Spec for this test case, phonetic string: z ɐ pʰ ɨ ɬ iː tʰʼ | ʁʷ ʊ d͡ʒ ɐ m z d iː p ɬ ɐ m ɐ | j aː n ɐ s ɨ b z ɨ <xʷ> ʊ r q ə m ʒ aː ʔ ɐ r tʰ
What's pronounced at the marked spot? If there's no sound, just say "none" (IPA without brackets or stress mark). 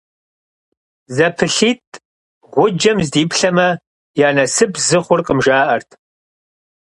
χʷ